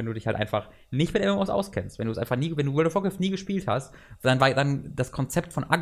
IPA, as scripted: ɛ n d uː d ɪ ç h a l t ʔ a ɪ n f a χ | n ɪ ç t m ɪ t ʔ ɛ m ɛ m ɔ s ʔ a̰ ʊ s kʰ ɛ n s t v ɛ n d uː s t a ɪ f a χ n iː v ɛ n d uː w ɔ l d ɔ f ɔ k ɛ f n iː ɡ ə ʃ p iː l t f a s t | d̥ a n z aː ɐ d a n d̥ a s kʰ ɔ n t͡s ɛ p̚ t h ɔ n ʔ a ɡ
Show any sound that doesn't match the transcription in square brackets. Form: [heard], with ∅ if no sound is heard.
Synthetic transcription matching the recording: ɛ n d uː d ɪ ç h a l t ʔ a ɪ n f a χ | n ɪ ç t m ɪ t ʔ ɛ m ɛ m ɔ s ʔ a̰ ʊ s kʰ ɛ n s t v ɛ n d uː s [ʔ] a ɪ f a χ n iː v ɛ n d uː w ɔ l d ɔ f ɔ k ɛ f n iː ɡ ə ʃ p iː l t [h] a s t | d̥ a n [v] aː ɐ d a n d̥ a s kʰ ɔ n t͡s ɛ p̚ t [f] ɔ n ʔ a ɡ